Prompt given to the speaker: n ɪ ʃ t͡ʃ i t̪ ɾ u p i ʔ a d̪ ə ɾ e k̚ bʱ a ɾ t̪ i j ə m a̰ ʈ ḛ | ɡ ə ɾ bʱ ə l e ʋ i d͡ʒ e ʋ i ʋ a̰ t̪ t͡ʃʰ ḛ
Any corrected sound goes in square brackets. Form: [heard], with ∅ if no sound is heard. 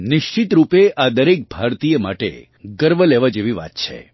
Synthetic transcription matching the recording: n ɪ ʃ t͡ʃ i t̪ ɾ u p [e] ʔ a d̪ ə ɾ e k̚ bʱ a ɾ t̪ i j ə m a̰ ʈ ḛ | ɡ ə ɾ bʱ ə l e ʋ [a] d͡ʒ e ʋ i ʋ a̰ t̪ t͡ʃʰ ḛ